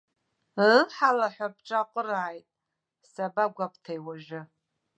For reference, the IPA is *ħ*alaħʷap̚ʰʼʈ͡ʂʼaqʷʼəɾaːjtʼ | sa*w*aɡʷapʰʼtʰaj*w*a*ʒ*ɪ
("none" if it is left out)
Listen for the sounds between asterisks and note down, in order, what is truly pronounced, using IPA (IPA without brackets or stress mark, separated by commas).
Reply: ħ, b, w, ʒ